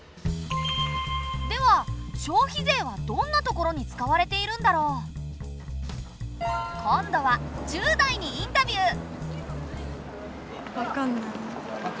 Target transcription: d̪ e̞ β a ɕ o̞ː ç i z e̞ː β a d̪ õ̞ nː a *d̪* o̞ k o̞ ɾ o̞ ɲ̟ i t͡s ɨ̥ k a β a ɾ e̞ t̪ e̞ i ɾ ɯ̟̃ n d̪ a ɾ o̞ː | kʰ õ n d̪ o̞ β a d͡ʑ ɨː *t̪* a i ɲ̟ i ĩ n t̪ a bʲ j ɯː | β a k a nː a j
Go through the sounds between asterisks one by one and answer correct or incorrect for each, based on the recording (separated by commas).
incorrect, incorrect